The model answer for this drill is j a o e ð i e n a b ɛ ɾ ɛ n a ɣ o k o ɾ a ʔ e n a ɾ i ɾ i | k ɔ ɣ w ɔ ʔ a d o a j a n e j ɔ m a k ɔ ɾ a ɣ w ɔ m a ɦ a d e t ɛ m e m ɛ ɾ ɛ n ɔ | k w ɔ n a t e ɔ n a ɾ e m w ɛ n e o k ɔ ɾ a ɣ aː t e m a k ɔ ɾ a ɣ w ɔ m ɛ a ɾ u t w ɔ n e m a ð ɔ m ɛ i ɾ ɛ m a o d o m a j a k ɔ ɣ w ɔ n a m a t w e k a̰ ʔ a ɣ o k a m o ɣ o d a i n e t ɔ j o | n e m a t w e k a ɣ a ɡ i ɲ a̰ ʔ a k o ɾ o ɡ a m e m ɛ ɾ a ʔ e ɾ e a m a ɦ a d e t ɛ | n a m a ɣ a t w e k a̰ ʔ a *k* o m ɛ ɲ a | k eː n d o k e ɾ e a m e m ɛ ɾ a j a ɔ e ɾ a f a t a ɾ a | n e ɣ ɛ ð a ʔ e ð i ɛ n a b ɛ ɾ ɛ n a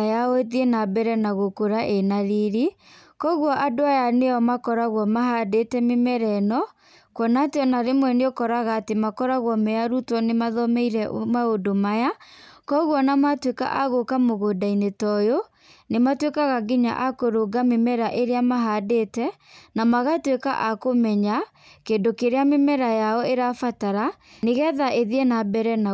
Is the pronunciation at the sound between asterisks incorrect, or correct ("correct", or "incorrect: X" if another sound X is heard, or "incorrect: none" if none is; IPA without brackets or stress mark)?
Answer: correct